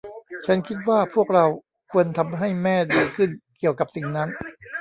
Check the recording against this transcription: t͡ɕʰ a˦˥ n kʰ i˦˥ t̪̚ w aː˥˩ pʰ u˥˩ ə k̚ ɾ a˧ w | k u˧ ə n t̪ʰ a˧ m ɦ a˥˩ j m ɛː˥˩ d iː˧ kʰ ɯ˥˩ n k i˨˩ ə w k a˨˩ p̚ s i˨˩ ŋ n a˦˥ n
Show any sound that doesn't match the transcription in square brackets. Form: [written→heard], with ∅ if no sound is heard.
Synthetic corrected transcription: t͡ɕʰ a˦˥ n kʰ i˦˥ t̪̚ w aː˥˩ pʰ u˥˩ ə k̚ ɾ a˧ w | [k→kʰ] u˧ ə n t̪ʰ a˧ m ɦ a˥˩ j m ɛː˥˩ d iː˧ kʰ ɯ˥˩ n k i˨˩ ə w k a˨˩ p̚ s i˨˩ ŋ n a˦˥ n